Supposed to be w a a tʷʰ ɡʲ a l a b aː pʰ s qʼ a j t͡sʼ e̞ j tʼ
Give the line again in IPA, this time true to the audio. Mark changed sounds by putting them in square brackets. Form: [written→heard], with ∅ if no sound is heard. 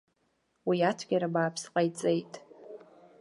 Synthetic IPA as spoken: w [a→i] a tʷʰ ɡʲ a [l→ɾ] a b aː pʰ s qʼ a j t͡sʼ e̞ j tʼ